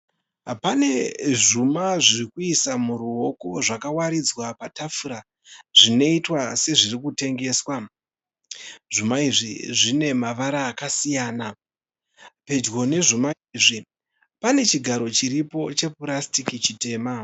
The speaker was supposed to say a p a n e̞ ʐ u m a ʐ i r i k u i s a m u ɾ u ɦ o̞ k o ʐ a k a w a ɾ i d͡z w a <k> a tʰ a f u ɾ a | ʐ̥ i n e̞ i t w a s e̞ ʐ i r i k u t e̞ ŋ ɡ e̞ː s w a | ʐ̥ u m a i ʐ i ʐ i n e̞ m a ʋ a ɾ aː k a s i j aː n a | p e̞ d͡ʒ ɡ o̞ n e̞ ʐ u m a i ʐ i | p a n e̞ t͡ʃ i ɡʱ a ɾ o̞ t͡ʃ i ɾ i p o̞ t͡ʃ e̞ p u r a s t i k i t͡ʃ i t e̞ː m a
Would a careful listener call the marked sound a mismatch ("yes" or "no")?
yes